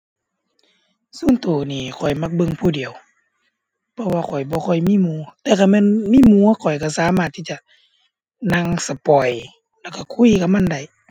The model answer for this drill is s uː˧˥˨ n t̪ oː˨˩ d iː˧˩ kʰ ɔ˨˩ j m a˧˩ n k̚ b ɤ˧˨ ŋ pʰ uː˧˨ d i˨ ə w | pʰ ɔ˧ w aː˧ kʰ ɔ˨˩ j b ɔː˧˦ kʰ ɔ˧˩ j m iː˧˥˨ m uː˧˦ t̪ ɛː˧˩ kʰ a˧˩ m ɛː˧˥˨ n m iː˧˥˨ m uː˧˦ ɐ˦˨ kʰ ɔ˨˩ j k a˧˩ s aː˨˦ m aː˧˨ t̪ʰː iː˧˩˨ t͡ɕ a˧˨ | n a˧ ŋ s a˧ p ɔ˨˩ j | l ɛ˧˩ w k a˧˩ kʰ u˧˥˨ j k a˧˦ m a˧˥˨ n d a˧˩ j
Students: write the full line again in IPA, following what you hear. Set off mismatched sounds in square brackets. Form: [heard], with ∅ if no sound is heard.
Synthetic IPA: s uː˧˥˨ n t̪ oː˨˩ [n] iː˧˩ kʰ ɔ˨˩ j m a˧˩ [∅] k̚ b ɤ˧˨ ŋ pʰ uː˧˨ d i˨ ə w | pʰ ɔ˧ w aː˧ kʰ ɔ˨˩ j b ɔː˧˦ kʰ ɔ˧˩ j m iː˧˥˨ m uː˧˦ t̪ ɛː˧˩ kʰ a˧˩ m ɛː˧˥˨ n m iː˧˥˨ m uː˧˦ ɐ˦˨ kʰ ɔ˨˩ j k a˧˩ s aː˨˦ m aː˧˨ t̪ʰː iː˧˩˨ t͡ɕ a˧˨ | n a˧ ŋ s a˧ p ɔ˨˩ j | l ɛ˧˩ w k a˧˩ kʰ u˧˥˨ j k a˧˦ m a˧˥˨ n d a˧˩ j